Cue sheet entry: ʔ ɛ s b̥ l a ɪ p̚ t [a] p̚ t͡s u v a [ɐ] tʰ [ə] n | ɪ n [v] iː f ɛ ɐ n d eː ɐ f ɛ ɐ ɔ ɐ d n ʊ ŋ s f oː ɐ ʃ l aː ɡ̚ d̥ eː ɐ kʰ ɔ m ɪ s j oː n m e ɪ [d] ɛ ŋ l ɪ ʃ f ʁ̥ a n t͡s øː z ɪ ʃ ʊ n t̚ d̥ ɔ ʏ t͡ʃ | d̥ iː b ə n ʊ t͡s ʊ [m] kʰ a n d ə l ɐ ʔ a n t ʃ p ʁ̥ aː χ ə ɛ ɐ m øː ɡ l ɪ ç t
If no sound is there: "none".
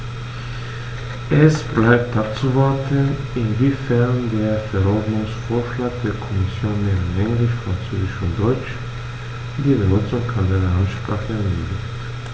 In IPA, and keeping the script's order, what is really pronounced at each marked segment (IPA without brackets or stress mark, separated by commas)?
a, ɐ, ə, v, n, ŋ